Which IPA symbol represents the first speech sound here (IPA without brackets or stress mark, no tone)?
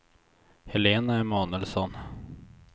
h